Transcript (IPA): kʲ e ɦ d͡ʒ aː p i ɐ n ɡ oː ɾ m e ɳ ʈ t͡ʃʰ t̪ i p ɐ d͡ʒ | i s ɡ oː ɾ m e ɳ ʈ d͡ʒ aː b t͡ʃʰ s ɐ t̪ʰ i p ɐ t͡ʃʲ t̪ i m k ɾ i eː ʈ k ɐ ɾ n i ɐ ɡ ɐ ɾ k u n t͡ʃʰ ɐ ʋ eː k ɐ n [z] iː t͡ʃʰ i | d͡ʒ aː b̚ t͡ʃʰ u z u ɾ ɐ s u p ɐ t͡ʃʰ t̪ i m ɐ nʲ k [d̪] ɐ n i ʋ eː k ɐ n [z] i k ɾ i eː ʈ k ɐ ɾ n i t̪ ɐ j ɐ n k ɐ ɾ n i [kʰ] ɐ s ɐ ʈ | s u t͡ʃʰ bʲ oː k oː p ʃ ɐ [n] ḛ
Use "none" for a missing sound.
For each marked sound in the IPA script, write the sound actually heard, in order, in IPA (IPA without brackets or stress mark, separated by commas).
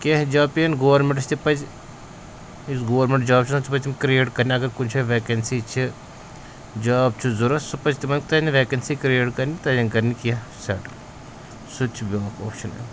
s, t̪, s, k, n